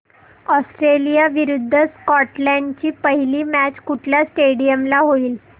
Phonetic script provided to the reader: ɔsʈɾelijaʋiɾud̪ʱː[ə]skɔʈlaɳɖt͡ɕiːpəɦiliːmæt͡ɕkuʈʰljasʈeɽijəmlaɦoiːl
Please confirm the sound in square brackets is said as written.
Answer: yes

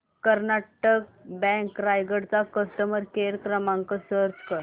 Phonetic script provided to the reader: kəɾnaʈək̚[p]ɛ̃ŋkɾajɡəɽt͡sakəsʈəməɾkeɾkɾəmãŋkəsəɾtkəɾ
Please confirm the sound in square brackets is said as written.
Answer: no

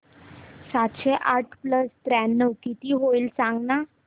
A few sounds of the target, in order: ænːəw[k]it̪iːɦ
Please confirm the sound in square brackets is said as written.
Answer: yes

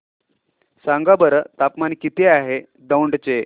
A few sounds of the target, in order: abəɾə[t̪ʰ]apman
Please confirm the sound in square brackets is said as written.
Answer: no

